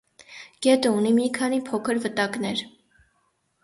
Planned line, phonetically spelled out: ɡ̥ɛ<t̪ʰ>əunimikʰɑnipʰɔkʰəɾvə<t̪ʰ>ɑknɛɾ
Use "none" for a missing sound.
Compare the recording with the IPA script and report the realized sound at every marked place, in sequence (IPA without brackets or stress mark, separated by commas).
t̪, t̪